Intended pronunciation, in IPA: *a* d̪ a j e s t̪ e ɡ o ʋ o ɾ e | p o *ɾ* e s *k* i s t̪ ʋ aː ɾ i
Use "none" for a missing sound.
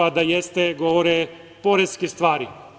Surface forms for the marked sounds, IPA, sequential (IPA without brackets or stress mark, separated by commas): a, ɾ, k